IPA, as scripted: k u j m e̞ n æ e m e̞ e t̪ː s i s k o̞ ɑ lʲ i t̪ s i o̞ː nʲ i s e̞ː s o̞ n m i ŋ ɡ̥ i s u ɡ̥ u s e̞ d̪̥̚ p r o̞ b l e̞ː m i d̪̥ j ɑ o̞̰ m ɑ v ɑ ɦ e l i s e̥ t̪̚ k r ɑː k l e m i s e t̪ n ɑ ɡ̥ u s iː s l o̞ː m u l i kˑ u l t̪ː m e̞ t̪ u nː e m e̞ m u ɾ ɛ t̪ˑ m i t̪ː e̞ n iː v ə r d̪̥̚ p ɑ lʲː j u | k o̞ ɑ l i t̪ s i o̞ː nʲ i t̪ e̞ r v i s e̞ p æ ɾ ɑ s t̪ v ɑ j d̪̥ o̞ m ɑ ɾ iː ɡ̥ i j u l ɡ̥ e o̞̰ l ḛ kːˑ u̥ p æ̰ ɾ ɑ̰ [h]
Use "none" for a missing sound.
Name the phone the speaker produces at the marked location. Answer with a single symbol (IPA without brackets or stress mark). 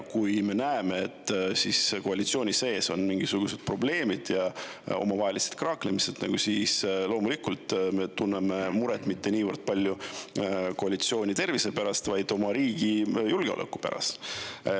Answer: s